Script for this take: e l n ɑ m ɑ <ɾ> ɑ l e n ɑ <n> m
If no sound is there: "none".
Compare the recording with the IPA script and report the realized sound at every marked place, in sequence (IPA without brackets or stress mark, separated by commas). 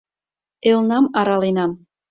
ɾ, none